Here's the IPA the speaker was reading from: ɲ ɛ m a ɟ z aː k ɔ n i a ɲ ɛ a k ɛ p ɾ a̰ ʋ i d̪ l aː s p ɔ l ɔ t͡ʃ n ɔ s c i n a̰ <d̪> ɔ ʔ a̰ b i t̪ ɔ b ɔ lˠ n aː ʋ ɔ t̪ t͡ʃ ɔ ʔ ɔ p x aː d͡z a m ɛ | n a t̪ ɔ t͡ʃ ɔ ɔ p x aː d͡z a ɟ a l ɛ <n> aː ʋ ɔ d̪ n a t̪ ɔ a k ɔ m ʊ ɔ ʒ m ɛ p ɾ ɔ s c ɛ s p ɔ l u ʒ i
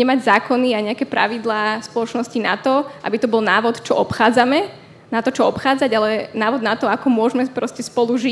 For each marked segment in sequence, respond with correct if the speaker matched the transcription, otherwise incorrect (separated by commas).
incorrect, correct